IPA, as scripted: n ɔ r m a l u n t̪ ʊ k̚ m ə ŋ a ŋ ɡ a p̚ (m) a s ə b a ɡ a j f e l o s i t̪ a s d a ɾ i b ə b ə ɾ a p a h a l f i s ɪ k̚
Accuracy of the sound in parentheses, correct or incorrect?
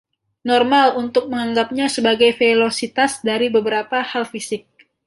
incorrect